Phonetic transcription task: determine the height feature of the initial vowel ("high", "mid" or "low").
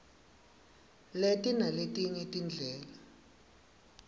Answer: mid